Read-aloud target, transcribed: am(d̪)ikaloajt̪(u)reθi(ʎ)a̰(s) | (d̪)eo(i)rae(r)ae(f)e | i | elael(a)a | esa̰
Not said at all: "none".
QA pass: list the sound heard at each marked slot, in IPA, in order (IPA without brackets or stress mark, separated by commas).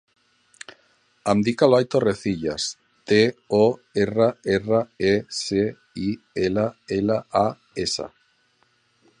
d̪, o, ʎ, s, t̪, e, r, s, a